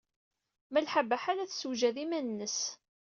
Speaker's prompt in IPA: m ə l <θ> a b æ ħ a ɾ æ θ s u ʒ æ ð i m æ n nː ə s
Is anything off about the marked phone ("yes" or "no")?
yes